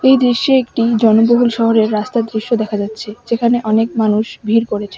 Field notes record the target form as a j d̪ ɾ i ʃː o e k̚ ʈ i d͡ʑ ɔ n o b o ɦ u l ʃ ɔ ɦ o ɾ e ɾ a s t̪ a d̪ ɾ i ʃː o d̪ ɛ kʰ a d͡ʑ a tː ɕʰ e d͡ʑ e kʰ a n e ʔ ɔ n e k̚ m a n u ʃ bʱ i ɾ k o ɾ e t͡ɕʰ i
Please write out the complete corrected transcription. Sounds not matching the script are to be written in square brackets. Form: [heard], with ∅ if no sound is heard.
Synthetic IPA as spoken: [e] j d̪ ɾ i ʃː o e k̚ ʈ i d͡ʑ ɔ n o b o ɦ u l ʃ ɔ ɦ o ɾ e [ɾː] a s t̪ a d̪ ɾ i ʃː o d̪ ɛ kʰ a d͡ʑ a tː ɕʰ e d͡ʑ e kʰ a n e ʔ ɔ n e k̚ m a n u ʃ bʱ i ɾ k o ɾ e t͡ɕʰ [e]

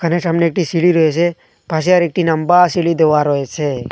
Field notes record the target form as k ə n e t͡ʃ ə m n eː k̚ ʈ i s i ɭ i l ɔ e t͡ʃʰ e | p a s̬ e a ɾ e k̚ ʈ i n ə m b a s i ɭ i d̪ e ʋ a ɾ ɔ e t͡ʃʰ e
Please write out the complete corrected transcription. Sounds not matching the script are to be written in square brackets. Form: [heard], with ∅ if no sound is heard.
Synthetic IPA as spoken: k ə n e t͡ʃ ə m n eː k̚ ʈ i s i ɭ i [ɾ] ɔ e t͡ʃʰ e | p a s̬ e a ɾ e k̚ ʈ i n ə m b a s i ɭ i d̪ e ʋ a ɾ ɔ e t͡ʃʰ e

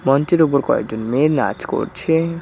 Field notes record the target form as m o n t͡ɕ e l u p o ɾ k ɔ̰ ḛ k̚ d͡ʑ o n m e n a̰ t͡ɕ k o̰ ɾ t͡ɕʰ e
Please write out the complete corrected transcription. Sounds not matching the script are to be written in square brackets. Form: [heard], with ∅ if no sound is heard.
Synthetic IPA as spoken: m [ɔ] n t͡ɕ e [ɾ] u p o ɾ k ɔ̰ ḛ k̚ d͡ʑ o n m e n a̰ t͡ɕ k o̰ ɾ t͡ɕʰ e

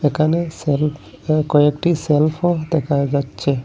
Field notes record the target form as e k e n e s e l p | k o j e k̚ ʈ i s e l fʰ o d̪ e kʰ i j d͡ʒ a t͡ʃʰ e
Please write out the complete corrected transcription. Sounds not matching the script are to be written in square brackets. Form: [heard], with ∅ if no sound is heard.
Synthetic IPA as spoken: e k [a] n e s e l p | k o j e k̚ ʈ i s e l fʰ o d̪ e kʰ [a] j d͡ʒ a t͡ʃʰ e

